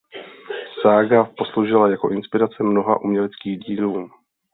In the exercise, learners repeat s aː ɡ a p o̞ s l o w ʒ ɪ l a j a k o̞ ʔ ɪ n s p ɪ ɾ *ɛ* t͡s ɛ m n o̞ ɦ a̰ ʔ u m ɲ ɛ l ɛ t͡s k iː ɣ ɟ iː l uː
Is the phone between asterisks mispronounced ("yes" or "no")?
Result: yes